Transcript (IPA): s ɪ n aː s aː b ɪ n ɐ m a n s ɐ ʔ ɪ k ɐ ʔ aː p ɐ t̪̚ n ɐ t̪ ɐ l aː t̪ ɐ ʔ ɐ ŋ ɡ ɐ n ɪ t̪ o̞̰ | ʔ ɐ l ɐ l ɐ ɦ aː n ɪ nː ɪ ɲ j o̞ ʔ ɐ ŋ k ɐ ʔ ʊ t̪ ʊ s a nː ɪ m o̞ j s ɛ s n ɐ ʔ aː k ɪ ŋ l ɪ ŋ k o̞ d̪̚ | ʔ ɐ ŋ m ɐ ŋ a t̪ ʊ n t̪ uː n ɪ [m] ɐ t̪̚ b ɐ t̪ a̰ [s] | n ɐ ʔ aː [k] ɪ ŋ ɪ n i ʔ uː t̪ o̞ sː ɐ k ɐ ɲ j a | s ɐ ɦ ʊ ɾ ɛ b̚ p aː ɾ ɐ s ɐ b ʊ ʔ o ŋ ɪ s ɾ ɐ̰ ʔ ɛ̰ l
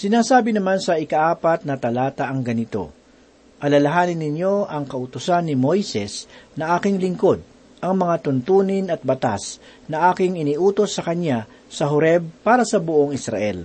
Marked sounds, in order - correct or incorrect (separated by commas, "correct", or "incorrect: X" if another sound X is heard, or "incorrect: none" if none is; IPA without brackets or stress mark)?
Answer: incorrect: n, correct, correct